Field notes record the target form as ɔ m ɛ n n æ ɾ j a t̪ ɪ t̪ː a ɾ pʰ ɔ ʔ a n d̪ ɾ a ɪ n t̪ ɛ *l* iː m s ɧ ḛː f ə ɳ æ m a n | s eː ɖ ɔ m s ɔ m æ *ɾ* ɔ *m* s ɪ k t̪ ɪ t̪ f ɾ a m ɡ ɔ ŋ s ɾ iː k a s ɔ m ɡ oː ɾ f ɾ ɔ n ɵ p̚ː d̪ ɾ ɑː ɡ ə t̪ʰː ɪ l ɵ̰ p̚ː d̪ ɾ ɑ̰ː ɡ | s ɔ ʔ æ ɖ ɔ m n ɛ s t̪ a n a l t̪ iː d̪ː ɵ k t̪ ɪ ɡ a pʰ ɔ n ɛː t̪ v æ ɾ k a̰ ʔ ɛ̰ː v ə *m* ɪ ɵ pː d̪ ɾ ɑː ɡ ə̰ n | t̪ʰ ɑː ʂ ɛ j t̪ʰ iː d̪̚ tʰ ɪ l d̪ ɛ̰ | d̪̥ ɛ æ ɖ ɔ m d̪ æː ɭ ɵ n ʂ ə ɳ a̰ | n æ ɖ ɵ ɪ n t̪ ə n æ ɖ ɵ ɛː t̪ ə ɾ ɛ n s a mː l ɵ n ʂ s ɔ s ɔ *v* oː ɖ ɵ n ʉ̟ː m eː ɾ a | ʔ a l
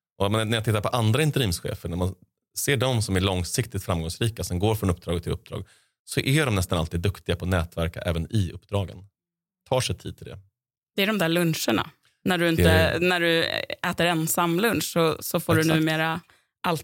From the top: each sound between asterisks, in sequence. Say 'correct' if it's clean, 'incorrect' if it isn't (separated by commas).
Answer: incorrect, incorrect, incorrect, incorrect, incorrect